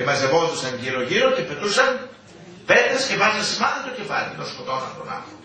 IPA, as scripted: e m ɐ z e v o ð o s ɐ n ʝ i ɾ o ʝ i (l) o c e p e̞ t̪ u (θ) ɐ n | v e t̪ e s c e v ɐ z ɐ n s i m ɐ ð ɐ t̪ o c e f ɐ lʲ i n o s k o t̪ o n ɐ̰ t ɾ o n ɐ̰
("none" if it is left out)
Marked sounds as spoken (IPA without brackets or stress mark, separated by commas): ɾ, s